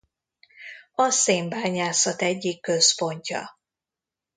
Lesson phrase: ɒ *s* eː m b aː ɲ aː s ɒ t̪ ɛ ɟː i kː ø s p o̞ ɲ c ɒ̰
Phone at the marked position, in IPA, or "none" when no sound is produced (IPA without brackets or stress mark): s